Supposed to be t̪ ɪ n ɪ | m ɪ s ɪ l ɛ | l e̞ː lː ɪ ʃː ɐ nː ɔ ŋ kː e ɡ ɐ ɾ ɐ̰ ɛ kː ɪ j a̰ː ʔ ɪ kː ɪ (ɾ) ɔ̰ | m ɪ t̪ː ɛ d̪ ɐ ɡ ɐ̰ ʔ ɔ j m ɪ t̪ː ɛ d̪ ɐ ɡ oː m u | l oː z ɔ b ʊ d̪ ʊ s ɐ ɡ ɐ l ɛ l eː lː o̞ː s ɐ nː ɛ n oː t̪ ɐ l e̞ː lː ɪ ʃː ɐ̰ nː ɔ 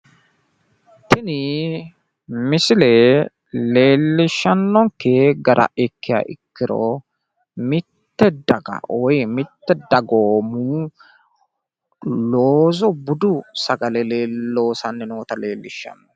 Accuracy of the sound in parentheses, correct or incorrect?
correct